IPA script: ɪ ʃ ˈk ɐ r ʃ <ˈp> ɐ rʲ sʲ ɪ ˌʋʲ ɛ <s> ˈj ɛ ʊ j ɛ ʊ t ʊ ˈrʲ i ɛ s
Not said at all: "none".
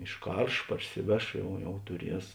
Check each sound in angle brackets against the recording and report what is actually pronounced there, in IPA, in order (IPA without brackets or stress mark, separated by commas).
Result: p, ʃ